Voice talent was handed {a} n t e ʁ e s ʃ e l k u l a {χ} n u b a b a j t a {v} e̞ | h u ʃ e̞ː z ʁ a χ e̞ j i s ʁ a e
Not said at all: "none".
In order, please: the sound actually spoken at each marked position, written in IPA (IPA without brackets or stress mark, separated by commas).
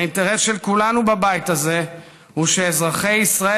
i, none, z